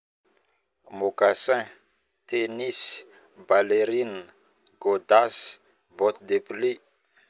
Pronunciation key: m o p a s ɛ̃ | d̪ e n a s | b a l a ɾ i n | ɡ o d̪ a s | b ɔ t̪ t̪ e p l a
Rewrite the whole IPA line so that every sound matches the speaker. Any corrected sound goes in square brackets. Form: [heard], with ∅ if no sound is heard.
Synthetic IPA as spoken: m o [k] a s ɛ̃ | [t̪] e n [i] s | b a l [e] ɾ i n | ɡ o d̪ a s | b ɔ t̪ [d̪] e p l [i]